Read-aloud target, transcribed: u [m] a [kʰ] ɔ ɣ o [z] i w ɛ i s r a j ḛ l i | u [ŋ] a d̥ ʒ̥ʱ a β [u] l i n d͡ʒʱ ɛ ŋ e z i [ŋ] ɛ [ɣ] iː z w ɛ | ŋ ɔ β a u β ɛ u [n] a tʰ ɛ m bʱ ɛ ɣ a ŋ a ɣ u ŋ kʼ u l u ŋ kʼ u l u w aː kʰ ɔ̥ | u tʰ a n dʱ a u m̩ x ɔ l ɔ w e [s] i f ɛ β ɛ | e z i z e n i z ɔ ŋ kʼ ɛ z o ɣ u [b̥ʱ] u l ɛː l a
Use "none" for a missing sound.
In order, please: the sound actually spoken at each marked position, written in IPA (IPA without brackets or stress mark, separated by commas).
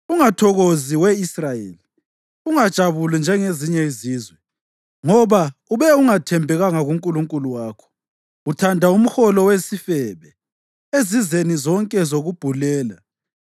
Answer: ŋ, tʰ, z, ŋ, u, ɲ, z, ŋ, s, b̥ʱ